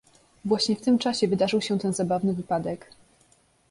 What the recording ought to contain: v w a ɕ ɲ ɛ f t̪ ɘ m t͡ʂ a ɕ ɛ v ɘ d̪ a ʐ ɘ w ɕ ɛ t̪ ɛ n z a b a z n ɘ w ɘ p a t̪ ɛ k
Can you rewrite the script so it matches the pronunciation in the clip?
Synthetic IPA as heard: v w a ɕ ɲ ɛ f t̪ ɘ m t͡ʂ a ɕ ɛ v ɘ d̪ a ʐ ɘ w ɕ ɛ t̪ ɛ n z a b a v n ɘ v ɘ p a d̪ ɛ k